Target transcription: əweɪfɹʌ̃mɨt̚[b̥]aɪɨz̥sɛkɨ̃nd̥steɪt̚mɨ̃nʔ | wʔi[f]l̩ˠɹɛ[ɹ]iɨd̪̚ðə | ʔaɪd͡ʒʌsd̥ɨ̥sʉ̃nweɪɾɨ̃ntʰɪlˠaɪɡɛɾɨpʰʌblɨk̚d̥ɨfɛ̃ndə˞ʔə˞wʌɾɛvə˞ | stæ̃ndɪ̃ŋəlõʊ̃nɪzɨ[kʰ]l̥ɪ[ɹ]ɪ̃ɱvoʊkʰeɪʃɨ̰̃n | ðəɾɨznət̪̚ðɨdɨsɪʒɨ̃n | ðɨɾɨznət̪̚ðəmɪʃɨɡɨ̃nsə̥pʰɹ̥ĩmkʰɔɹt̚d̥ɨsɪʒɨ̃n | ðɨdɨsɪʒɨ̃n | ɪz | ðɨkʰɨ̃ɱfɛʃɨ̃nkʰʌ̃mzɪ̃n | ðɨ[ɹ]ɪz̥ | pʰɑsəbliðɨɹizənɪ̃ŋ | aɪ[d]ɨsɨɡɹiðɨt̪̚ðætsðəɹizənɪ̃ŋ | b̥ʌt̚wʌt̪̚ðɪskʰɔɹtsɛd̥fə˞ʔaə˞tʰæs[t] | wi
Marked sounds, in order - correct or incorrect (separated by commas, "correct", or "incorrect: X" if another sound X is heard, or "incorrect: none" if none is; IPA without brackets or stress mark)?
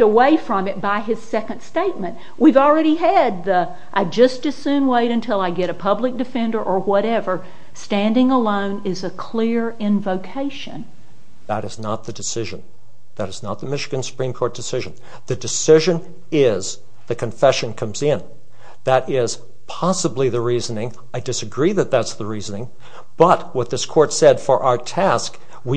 correct, incorrect: v, incorrect: ɾ, correct, correct, incorrect: ɾ, correct, incorrect: k